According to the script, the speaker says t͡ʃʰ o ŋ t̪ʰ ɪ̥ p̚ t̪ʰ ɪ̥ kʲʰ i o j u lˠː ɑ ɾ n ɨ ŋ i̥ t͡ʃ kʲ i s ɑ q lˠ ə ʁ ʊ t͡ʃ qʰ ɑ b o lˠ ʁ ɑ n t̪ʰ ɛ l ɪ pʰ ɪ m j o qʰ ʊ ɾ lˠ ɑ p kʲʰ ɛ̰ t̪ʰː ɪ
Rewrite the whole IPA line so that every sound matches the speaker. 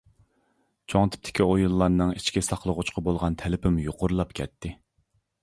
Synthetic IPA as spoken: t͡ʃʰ o ŋ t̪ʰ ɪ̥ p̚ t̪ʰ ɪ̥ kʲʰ i o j u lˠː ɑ ɾ n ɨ ŋ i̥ t͡ʃ kʲ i s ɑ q lˠ ə ʁ ʊ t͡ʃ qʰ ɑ b o lˠ ʁ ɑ n t̪ʰ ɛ l ɪ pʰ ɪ m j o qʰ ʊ ɾ lˠ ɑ p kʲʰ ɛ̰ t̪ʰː ɪ